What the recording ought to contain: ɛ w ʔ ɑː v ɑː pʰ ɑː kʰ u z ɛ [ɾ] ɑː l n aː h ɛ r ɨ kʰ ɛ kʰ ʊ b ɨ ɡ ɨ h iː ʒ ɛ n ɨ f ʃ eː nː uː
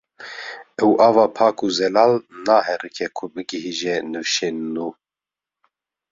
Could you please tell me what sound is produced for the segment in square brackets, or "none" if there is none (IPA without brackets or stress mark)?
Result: l